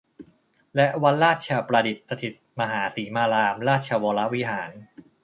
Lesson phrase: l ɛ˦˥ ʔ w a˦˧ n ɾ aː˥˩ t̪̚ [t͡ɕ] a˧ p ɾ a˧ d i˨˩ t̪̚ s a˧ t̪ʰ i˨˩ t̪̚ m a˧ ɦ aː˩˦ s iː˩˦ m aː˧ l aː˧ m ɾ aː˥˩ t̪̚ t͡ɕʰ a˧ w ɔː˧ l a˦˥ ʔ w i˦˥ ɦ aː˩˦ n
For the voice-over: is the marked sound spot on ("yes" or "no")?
no